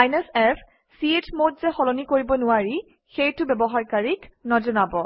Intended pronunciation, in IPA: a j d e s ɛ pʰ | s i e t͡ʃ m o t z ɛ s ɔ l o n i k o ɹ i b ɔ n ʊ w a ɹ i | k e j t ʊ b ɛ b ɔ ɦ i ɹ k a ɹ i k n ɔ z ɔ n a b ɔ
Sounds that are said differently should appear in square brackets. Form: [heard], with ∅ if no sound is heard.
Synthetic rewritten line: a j [n] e s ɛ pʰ | s i e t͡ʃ m o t z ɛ [x] ɔ l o n i k o ɹ i b ɔ n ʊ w a ɹ i | [x] e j t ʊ b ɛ b ɔ ɦ [a] ɹ k a ɹ i k n ɔ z ɔ n a b ɔ